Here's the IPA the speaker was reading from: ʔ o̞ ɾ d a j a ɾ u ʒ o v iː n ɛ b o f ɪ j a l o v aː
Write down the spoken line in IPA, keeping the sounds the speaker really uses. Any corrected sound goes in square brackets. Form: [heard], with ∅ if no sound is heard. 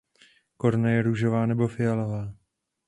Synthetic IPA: [k] o̞ ɾ [n] a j [ɛ] ɾ u ʒ o v [aː] n ɛ b o f ɪ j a l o v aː